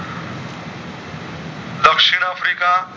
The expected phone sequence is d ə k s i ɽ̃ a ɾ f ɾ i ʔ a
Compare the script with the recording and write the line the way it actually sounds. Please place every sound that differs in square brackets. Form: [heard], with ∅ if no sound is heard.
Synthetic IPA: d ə k [ʂ] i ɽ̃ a [∅] f ɾ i [k] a